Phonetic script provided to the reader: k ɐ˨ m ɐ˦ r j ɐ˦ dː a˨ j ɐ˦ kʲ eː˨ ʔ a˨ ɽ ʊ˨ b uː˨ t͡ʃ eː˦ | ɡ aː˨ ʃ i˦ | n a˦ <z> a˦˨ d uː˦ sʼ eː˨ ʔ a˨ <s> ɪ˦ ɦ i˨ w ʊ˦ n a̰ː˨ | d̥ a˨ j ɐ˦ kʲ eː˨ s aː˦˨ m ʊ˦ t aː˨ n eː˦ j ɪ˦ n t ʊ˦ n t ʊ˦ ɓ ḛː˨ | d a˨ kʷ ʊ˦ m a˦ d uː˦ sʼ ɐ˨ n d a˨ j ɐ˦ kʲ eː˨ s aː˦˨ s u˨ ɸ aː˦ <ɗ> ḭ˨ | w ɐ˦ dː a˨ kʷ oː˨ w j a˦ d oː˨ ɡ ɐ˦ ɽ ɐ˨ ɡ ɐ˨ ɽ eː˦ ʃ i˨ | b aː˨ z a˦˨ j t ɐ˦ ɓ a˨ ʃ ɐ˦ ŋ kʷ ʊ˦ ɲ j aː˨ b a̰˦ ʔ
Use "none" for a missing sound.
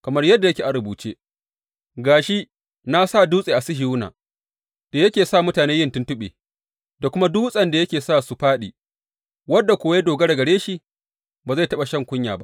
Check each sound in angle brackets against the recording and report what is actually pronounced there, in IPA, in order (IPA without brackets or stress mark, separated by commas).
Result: s, s, ɗ